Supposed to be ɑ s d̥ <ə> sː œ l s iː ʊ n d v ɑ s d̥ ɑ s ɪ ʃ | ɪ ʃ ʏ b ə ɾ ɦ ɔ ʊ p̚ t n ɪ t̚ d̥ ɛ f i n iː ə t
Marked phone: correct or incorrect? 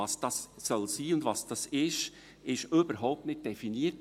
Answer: incorrect